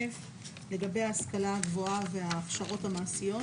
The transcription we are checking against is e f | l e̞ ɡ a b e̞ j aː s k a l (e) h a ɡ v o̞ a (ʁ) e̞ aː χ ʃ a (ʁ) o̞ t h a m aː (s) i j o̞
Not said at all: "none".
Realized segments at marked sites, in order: a, v, ʁ, s

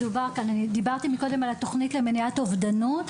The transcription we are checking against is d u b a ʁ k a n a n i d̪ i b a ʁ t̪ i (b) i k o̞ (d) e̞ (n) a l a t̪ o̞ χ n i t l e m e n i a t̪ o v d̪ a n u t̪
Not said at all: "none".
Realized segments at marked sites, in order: m, d, m

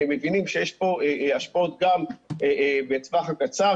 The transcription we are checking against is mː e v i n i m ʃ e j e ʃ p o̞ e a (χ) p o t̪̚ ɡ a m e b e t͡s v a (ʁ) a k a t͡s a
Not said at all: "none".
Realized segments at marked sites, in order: ʃ, χ

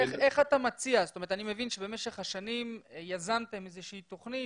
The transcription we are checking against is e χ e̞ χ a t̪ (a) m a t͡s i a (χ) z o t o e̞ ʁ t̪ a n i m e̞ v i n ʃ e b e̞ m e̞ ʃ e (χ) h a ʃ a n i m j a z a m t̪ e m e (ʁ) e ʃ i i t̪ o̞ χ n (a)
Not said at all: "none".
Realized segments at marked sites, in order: a, none, χ, z, i

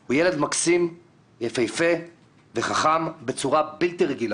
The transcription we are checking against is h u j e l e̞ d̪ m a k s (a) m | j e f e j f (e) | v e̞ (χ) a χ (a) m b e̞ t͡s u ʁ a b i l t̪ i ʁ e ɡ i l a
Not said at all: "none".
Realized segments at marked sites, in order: i, e, χ, a

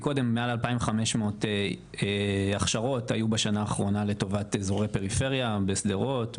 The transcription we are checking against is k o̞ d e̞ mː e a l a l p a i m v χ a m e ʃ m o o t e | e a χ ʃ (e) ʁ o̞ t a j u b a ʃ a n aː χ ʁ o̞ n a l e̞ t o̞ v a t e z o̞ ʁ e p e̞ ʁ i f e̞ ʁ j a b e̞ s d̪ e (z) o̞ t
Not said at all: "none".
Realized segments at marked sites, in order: a, ʁ

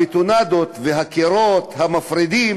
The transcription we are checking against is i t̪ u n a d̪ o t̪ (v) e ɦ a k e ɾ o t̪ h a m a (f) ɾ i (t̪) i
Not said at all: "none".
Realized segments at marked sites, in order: v, f, d̪

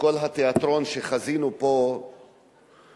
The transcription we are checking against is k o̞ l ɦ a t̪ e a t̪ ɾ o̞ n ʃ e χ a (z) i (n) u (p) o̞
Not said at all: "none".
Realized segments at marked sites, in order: z, n, p

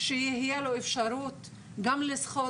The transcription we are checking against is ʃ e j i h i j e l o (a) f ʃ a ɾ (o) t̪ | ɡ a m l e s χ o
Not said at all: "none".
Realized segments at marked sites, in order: e, u

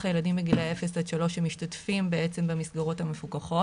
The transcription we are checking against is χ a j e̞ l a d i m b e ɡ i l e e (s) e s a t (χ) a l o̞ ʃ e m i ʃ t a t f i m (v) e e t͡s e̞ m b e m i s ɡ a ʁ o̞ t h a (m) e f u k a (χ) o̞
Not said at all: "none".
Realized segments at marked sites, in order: f, ʃ, b, m, χ

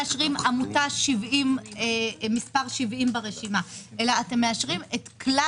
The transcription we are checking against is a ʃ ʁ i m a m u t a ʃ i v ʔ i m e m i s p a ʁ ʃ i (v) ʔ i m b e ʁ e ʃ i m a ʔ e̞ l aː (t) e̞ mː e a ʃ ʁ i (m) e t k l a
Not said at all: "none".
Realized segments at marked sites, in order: v, t, m

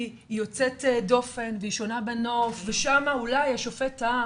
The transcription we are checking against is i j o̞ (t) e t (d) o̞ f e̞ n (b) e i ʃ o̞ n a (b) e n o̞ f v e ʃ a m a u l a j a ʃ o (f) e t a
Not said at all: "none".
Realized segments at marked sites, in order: t͡s, d, v, b, f

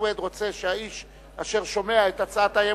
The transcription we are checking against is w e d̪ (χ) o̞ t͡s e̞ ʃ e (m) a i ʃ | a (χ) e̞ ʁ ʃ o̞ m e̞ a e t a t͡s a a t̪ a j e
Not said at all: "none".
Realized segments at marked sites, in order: ʁ, none, ʃ

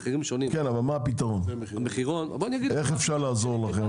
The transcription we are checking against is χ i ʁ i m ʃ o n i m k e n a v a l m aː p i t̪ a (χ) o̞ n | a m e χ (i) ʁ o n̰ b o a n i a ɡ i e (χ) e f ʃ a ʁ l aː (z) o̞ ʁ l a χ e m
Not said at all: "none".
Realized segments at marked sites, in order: ʁ, i, χ, z

